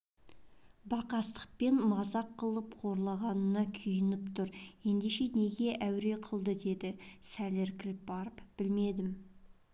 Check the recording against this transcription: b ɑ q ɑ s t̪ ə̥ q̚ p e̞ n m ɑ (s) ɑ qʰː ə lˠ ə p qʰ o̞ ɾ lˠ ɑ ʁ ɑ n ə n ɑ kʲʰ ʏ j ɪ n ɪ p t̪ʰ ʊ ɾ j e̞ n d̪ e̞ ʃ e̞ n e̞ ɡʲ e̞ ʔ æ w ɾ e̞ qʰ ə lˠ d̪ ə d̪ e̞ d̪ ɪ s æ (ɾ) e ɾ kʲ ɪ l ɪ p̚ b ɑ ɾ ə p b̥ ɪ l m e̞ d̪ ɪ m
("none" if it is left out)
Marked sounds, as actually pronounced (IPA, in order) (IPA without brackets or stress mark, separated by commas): z, l